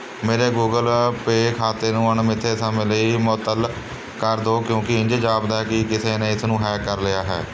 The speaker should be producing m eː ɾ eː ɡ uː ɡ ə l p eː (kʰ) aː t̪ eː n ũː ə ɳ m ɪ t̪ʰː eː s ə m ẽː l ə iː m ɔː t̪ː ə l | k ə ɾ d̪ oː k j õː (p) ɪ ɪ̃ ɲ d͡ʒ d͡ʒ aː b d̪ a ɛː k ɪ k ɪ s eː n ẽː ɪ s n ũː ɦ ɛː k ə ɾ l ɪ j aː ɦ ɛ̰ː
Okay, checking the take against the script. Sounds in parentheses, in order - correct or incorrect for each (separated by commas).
correct, incorrect